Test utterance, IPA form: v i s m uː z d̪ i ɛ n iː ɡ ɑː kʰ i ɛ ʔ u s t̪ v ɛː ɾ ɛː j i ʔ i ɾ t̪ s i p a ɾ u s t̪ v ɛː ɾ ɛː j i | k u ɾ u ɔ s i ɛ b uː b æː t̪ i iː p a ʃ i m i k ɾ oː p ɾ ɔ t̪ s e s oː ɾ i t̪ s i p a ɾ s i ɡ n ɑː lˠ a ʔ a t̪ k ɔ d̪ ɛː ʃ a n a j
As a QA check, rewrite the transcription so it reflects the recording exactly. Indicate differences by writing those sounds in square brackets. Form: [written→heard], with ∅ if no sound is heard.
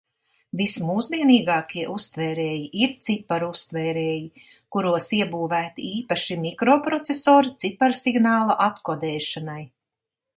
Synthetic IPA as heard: v i s m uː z d̪ i ɛ n iː ɡ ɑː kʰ i ɛ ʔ u s t̪ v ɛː ɾ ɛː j i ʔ i ɾ t̪ s i p a ɾ u s t̪ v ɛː ɾ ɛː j i | k u ɾ u ɔ s i ɛ b uː [b→v] æː t̪ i iː p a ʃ i m i k ɾ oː p ɾ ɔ t̪ s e s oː ɾ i t̪ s i p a ɾ s i ɡ n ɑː lˠ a ʔ a t̪ k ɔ d̪ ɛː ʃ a n a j

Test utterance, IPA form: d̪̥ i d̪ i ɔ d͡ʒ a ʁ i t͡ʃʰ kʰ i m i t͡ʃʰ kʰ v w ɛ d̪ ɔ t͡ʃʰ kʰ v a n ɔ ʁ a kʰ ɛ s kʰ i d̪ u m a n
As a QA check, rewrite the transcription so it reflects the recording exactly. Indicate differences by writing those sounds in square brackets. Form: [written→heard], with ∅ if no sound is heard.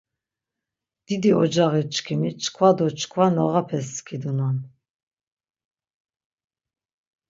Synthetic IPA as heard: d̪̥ i d̪ i ɔ d͡ʒ a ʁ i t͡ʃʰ kʰ i m i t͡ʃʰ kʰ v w [ɛ→a] d̪ ɔ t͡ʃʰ kʰ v a n ɔ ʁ a [kʰ→pʰ] ɛ s kʰ i d̪ u [m→n] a n

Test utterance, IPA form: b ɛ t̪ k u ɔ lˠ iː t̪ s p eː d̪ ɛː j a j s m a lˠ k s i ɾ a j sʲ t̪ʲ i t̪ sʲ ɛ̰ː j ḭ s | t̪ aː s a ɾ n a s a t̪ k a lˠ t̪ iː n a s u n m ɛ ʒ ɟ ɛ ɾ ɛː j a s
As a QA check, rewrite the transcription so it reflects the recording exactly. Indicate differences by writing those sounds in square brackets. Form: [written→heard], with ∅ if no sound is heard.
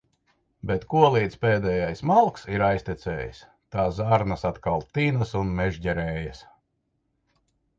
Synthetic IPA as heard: b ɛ t̪ k u ɔ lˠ iː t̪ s p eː d̪ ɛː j a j s m a lˠ k s i ɾ a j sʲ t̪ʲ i t̪ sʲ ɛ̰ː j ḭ s | t̪ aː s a ɾ n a s a t̪ k a lˠ t̪ iː n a s u n m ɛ ʒ ɟ ɛ ɾ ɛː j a s

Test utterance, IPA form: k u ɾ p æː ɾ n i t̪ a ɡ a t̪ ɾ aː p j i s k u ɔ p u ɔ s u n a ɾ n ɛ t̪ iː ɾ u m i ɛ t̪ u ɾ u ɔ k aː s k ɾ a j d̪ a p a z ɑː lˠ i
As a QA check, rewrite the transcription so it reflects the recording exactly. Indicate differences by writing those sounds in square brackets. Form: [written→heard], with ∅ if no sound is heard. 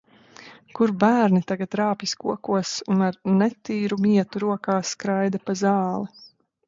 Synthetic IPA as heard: k u ɾ [p→b] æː ɾ n i t̪ a ɡ a t̪ ɾ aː p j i s k u ɔ [p→k] u ɔ s u n a ɾ n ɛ t̪ iː ɾ u m i ɛ t̪ u ɾ u ɔ k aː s k ɾ a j d̪ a p a z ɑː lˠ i

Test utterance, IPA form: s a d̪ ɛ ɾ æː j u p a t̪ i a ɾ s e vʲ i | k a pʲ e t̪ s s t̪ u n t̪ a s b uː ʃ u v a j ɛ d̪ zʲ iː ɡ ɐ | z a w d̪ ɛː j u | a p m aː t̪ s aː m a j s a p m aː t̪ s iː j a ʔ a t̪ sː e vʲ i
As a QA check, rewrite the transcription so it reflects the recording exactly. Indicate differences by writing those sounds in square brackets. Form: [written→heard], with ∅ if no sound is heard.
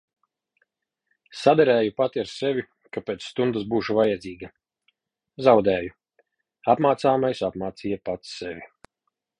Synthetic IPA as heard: s a d̪ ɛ ɾ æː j u p a t̪ i a ɾ s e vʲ i | k a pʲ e t̪ s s t̪ u n [t̪→d̪] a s b uː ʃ u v a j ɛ d̪ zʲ iː ɡ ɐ | z a w d̪ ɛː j u | a p m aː t̪ s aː m a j s a p m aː t̪ s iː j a [ʔ→p] a t̪ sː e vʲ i

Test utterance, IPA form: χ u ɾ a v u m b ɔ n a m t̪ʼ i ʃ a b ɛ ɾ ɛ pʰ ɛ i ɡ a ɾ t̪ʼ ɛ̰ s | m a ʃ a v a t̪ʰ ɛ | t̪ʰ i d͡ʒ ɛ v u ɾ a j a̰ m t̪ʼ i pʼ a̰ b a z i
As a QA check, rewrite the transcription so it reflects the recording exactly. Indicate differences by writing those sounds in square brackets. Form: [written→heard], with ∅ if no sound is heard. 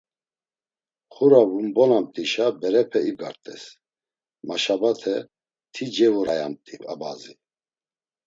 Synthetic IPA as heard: χ u ɾ a v u m b ɔ n a m t̪ʼ i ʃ a b ɛ ɾ ɛ pʰ ɛ i ɡ a ɾ t̪ʼ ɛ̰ s | m a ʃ a [v→b] a t̪ʰ ɛ | t̪ʰ i d͡ʒ ɛ v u ɾ a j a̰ m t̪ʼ i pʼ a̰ b a z i

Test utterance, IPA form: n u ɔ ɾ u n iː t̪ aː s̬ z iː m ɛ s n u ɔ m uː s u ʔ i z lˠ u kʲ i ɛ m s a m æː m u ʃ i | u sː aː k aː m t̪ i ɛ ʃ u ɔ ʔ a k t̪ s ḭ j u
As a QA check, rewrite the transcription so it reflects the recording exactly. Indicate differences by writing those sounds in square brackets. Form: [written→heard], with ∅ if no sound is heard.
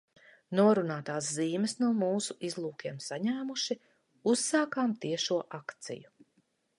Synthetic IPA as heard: n u ɔ ɾ u n [iː→aː] t̪ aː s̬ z iː m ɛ s n u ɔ m uː s u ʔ i z lˠ [u→uː] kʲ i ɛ m s a [m→ɲ] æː m u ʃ i | u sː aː k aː m t̪ i ɛ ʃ u ɔ ʔ a k t̪ s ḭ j u

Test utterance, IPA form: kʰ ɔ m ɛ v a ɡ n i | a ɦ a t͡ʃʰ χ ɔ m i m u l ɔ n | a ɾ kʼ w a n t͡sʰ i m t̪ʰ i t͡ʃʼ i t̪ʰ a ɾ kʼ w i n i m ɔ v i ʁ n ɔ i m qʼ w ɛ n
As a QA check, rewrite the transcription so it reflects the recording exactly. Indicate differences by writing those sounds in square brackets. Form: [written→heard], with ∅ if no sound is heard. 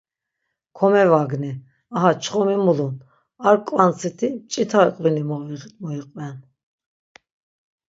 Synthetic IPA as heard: kʰ ɔ m ɛ v a ɡ n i | a ɦ a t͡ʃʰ χ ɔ m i m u l [ɔ→u] n | a ɾ kʼ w a n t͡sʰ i [m→∅] t̪ʰ i t͡ʃʼ i t̪ʰ a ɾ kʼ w i n i m ɔ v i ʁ [n→m] ɔ i [m→∅] qʼ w ɛ n

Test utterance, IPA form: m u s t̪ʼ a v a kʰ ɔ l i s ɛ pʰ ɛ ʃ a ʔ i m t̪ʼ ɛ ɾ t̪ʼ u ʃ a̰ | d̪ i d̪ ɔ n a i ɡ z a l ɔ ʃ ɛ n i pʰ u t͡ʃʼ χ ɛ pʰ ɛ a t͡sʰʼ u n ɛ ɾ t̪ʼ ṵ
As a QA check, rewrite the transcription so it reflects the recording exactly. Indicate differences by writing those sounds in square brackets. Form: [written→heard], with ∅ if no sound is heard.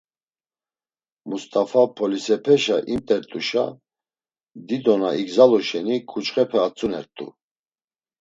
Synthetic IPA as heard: m u s t̪ʼ a [v→f] a [kʰ→pʰ] ɔ l i s ɛ pʰ ɛ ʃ a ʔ i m t̪ʼ ɛ ɾ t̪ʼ u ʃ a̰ | d̪ i d̪ ɔ n a i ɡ z a l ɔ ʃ ɛ n i [pʰ→kʰ] u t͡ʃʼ χ ɛ pʰ ɛ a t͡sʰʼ u n ɛ ɾ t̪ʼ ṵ

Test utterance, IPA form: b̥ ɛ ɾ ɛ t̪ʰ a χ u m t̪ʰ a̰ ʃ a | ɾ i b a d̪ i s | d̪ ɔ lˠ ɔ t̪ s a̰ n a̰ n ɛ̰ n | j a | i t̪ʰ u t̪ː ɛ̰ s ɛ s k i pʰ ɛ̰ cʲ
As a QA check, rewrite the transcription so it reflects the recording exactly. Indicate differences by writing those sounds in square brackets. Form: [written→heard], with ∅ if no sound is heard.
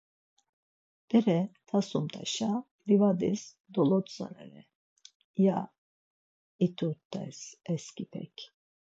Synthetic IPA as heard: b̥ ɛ ɾ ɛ t̪ʰ a [χ→s] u m t̪ʰ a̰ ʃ a | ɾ i [b→v] a d̪ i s | d̪ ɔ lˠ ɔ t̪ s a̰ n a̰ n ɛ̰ [n→∅] | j a | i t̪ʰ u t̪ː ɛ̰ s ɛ s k i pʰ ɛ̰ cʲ

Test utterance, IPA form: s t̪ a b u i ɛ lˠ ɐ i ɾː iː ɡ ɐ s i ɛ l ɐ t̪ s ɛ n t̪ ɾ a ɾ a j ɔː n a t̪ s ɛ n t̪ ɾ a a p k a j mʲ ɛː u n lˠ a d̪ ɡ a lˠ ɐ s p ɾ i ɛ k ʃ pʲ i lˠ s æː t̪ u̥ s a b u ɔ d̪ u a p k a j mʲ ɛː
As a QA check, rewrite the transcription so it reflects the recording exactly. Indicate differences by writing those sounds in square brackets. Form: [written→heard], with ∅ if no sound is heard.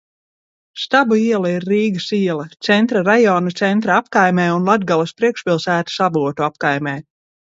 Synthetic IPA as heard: s t̪ a b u i ɛ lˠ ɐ i ɾː iː ɡ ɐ s i ɛ l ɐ t̪ s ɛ n t̪ ɾ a ɾ a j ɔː n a t̪ s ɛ n t̪ ɾ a a p k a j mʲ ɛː u n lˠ a d̪ ɡ a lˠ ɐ s p ɾ i ɛ k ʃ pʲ i lˠ s æː t̪ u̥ s a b u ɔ [d̪→t̪] u a p k a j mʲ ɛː

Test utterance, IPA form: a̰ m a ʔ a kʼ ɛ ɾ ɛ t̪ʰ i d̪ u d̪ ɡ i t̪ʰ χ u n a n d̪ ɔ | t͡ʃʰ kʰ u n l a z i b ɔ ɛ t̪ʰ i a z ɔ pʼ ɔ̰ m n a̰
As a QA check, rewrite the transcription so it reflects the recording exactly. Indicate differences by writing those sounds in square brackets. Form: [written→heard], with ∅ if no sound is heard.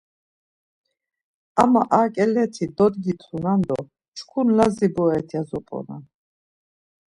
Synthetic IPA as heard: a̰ m a ʔ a kʼ ɛ [ɾ→l] ɛ t̪ʰ i d̪ [u→ɔ] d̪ ɡ i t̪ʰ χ u n a n d̪ ɔ | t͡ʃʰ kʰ u n l a z i b ɔ ɛ t̪ʰ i a z ɔ pʼ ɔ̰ [m→∅] n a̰

